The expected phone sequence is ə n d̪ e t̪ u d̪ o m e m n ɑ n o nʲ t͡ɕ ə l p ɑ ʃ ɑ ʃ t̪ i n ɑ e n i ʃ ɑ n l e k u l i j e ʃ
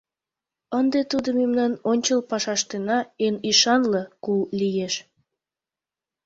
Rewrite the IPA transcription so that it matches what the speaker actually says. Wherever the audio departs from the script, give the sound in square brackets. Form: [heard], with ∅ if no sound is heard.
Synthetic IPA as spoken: ə n d̪ e t̪ u d̪ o m e m n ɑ n o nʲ t͡ɕ ə l p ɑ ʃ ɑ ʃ t̪ [e] n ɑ e n i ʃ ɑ n l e k u l i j e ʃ